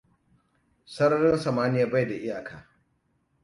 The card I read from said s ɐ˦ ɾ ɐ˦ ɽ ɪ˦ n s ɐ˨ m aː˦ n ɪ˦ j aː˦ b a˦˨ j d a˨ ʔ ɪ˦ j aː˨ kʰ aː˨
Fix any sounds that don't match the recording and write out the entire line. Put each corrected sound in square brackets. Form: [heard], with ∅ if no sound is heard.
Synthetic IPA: s ɐ˦ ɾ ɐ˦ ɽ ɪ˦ n s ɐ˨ m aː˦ n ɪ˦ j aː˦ b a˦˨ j d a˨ ʔ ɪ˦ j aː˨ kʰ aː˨